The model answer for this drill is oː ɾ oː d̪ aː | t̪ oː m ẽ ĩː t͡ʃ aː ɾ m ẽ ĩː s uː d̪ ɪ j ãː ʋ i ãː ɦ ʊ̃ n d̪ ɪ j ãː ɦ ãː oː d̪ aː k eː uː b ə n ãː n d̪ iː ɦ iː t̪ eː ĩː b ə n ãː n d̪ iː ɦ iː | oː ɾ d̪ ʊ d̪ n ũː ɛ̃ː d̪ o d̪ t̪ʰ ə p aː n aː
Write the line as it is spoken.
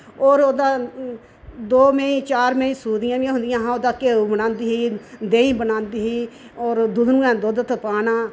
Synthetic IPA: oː ɾ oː d̪ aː | d̪ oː m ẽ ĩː t͡ʃ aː ɾ m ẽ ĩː s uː d̪ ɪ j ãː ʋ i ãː ɦ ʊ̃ n d̪ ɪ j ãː ɦ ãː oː d̪ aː k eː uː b ə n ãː n d̪ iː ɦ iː d̪ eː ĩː b ə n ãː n d̪ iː ɦ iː | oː ɾ d̪ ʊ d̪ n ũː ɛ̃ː d̪ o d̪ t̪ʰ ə p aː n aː